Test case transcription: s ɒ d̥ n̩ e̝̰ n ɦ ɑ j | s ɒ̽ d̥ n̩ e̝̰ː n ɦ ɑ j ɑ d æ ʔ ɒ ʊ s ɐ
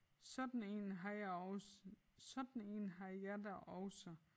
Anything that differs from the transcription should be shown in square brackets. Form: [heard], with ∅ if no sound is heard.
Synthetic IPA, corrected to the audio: s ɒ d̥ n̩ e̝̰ n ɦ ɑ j | s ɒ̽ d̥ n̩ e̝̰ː n ɦ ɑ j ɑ d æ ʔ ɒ ʊ s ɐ